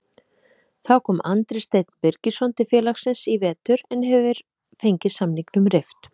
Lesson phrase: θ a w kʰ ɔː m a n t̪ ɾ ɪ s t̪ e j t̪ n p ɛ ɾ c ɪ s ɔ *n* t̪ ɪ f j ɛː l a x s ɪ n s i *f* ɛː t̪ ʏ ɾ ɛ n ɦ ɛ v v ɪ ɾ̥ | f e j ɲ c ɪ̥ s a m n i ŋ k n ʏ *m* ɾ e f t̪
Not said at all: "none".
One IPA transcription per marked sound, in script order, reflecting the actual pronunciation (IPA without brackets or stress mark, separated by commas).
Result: n, v, m